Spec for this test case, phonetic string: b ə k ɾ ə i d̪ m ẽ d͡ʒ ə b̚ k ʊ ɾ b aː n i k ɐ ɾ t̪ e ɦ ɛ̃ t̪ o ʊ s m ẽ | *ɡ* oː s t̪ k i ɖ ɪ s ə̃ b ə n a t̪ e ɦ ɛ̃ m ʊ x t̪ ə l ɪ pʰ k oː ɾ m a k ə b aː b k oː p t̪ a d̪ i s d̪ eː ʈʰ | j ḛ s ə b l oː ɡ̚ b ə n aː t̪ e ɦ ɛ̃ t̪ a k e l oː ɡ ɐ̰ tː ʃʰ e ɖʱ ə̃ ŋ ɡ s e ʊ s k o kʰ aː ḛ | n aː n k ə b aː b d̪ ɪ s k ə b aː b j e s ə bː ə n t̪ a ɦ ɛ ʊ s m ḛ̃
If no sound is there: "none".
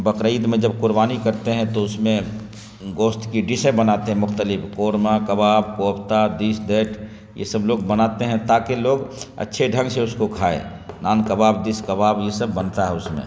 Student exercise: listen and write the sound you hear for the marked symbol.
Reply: ɡ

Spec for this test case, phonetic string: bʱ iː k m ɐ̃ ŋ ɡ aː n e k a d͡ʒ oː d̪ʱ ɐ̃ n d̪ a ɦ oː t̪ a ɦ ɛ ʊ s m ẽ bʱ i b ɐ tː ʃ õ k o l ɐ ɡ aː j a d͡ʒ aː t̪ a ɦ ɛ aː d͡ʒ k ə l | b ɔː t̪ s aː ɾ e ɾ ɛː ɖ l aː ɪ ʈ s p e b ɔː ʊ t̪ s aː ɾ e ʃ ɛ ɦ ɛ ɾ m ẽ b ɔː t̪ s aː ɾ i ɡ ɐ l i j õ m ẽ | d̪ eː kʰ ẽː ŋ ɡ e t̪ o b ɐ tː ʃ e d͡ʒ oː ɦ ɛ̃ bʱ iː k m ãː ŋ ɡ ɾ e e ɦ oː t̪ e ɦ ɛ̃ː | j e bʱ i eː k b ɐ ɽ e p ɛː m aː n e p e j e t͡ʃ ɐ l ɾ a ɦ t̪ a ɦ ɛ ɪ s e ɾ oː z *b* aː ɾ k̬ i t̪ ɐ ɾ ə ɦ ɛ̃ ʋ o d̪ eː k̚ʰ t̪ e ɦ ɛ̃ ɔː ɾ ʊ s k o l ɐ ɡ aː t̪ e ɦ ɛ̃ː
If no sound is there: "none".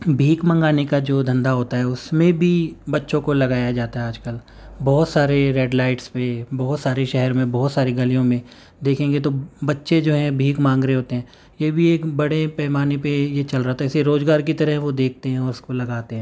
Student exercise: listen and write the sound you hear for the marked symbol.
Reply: ɡ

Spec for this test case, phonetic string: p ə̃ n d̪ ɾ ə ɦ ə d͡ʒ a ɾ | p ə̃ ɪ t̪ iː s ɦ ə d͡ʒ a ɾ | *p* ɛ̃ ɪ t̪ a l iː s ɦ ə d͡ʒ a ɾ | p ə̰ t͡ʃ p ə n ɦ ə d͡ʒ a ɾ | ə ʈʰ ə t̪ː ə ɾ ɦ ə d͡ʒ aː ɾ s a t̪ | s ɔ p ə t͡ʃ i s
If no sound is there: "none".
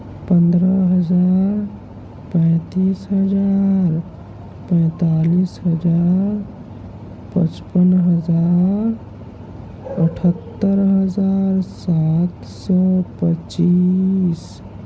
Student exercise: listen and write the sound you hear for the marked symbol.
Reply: p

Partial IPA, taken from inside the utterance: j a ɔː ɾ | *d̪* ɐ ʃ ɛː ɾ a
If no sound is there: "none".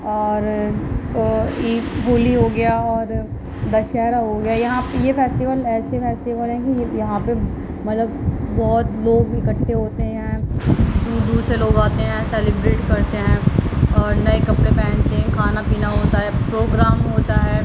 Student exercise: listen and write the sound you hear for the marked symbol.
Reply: d̪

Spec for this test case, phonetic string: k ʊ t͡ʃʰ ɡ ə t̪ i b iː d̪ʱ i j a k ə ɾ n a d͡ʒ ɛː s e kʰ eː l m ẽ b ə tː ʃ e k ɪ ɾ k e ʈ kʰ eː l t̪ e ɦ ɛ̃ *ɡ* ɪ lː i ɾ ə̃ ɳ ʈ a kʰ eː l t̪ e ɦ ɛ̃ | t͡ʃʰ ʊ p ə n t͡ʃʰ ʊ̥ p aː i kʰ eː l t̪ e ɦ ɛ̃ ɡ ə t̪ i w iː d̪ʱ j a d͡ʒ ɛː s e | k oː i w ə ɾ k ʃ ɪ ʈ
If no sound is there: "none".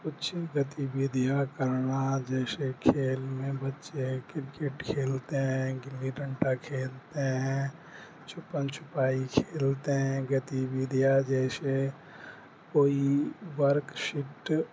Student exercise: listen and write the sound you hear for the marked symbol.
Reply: ɡ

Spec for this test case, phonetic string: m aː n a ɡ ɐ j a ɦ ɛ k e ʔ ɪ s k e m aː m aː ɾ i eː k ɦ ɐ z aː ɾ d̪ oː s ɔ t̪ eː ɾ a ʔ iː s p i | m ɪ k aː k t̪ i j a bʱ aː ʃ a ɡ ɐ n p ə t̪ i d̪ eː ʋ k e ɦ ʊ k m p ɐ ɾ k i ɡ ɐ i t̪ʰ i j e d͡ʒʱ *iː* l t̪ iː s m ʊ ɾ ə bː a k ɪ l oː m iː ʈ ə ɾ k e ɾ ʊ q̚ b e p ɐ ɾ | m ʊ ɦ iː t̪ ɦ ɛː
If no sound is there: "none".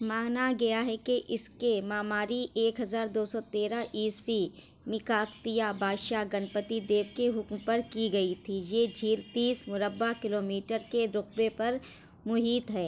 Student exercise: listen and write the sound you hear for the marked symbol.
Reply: iː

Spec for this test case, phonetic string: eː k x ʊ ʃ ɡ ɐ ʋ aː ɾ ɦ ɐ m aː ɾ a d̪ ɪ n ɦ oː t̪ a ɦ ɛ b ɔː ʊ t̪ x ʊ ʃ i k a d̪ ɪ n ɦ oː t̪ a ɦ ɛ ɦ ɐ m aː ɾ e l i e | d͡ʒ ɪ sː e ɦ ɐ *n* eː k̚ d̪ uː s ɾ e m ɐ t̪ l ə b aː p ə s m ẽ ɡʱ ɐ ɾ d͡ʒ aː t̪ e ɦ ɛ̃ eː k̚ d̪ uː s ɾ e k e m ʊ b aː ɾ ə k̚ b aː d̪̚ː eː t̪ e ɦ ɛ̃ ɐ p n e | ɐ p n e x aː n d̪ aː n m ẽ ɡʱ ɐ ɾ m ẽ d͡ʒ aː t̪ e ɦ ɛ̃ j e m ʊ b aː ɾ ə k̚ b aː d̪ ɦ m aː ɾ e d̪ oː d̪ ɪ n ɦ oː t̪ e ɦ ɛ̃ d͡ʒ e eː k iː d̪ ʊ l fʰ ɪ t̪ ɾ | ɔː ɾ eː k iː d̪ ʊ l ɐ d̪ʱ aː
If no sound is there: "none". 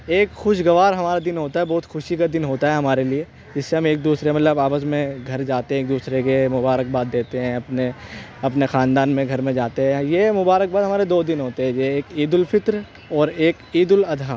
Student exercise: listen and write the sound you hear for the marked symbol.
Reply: m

